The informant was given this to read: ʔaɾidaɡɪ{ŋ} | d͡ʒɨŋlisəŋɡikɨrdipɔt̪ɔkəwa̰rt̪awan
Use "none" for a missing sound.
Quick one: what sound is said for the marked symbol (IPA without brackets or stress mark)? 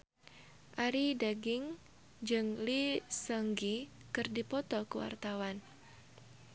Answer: ŋ